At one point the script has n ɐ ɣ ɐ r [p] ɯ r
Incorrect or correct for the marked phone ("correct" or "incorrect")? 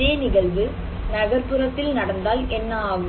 correct